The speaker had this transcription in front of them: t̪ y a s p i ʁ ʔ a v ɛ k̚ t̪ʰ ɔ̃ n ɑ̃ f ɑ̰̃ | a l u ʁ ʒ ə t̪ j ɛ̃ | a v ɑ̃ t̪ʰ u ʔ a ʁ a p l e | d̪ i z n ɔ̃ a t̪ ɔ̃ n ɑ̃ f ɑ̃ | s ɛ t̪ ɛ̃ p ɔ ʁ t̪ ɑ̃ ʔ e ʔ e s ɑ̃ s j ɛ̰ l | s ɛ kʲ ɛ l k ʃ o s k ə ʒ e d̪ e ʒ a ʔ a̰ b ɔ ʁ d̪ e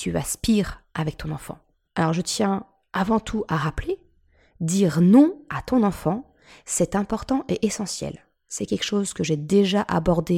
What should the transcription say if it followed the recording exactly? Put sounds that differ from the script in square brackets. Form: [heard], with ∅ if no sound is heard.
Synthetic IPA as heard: t̪ y a s p i ʁ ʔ a v ɛ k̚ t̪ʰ ɔ̃ n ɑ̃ f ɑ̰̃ | a l [ɔ] ʁ ʒ ə t̪ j ɛ̃ | a v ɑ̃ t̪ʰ u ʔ a ʁ a p l e | d̪ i [ʁ] n ɔ̃ a t̪ ɔ̃ n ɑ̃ f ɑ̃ | s ɛ t̪ ɛ̃ p ɔ ʁ t̪ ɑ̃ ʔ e ʔ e s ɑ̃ s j ɛ̰ l | s ɛ kʲ ɛ l k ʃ o [z] k ə ʒ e d̪ e ʒ a ʔ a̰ b ɔ ʁ d̪ e